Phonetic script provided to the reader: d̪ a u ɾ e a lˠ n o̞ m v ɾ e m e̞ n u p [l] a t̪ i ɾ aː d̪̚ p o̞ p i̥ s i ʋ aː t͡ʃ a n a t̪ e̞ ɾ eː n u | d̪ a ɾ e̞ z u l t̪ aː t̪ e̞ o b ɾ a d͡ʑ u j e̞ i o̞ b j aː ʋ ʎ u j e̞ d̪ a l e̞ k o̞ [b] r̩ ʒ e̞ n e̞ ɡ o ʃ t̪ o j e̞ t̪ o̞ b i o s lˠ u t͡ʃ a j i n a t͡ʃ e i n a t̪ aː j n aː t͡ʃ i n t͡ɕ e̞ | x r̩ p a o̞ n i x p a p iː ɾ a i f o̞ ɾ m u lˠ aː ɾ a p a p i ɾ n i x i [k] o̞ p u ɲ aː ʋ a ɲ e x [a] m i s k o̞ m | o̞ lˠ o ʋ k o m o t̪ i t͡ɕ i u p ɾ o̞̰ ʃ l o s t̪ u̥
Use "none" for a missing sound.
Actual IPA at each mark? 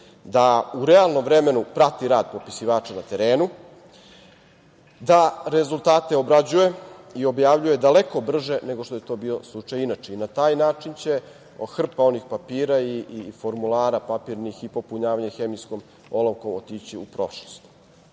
ɾ, b, p, e

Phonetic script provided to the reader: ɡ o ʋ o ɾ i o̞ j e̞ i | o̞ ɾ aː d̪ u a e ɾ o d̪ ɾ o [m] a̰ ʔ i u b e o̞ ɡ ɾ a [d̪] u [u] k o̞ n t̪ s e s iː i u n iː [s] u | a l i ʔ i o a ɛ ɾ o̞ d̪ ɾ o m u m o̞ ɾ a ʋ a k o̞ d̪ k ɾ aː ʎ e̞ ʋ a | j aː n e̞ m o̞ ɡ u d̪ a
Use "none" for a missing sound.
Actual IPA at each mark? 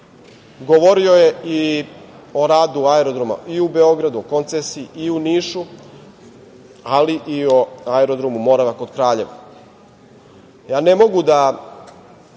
m, d̪, o, ʃ

